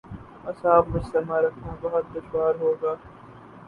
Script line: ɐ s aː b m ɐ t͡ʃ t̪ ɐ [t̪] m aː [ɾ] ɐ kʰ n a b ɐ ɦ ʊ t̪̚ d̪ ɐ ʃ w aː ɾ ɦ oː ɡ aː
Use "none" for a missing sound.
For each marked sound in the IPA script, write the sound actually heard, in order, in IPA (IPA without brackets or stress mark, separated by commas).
none, ɾ